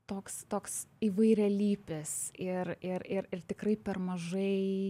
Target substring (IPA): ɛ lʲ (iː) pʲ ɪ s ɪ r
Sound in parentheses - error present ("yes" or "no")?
no